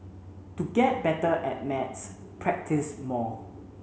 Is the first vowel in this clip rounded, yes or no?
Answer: yes